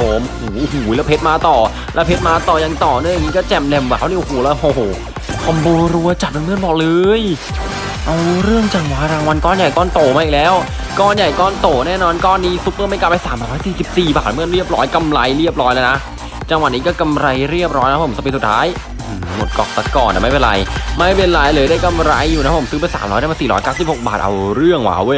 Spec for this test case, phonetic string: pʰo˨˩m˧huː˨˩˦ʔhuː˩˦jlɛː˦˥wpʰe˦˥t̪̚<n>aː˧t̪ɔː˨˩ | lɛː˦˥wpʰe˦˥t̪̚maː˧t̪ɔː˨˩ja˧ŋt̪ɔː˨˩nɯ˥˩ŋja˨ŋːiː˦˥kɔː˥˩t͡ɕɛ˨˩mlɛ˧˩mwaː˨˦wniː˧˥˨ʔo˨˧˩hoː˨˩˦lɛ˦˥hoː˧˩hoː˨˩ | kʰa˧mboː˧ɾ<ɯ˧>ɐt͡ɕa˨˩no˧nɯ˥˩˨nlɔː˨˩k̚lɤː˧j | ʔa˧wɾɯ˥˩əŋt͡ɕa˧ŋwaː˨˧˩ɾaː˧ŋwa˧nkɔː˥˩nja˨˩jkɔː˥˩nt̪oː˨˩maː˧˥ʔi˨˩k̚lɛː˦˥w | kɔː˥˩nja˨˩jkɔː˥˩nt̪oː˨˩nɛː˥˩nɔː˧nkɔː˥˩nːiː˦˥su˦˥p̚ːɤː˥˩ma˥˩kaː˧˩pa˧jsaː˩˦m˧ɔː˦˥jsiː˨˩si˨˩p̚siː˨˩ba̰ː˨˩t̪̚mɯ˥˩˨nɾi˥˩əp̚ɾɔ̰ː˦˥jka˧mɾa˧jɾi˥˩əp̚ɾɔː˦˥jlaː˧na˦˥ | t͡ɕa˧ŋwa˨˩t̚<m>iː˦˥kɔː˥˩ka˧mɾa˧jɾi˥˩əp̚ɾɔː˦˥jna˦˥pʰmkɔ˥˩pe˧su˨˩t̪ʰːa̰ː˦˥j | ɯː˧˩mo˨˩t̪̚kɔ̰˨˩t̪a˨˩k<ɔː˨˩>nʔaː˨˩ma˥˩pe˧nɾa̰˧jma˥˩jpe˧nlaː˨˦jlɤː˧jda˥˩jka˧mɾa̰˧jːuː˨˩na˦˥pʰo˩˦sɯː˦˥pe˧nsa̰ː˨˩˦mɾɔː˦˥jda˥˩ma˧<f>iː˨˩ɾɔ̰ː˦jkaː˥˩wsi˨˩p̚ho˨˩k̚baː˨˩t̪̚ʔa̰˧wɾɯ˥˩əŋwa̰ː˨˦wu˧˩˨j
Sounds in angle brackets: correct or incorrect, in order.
incorrect: m, incorrect: u˧, incorrect: n, correct, incorrect: s

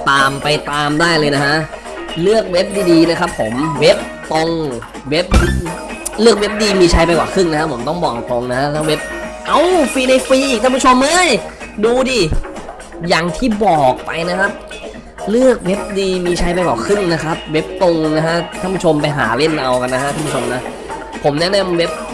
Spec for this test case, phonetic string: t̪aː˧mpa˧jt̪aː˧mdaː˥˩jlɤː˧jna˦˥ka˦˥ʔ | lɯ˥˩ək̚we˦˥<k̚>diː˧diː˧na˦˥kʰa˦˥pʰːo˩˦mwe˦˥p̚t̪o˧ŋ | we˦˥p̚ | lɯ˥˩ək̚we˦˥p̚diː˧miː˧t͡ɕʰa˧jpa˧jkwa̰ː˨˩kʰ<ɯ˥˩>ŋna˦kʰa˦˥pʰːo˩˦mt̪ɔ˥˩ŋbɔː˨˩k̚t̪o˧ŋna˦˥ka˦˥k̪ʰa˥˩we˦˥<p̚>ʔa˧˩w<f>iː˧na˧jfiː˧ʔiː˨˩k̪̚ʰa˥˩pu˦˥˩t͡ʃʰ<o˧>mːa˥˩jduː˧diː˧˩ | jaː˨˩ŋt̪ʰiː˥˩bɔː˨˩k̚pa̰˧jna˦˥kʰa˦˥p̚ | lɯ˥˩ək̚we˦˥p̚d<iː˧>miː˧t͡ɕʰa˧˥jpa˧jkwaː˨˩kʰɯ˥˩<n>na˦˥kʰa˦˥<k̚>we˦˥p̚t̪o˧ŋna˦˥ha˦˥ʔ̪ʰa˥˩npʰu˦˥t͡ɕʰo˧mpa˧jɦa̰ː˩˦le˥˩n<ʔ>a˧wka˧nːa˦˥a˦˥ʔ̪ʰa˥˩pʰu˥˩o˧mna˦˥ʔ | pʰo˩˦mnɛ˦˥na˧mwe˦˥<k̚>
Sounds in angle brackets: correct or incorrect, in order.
incorrect: p̚, correct, correct, correct, correct, correct, incorrect: ŋ, incorrect: p̚, correct, incorrect: p̚

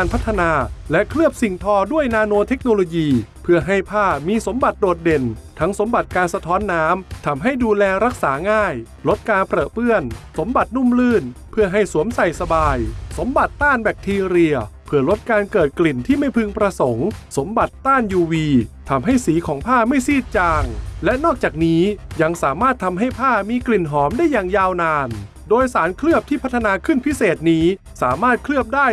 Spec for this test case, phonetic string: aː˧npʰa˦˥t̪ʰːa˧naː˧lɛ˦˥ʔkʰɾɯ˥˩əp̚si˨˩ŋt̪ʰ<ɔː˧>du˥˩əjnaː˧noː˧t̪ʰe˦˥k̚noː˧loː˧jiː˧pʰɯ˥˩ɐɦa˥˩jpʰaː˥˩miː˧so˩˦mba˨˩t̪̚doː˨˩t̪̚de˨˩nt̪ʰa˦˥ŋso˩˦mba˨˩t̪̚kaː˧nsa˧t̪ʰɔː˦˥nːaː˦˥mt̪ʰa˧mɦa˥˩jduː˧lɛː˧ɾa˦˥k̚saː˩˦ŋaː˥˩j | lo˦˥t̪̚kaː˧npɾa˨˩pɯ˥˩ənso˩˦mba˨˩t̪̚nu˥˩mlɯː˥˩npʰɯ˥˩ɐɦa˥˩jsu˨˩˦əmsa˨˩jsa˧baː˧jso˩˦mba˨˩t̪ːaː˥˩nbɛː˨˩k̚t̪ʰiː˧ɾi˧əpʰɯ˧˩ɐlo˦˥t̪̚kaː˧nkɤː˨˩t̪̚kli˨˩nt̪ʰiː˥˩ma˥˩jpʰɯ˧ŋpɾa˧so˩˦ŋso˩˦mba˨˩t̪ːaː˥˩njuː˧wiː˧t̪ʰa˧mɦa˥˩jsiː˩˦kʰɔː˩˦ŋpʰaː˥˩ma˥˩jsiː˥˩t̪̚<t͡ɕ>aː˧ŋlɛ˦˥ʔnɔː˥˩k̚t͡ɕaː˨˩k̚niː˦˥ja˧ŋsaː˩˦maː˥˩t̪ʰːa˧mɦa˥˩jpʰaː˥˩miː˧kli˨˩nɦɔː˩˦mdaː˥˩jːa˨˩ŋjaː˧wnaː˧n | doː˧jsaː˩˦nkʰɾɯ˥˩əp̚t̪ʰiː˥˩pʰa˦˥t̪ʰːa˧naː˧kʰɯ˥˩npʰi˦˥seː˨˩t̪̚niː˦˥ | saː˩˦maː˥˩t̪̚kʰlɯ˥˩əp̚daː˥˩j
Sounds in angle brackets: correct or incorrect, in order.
correct, correct

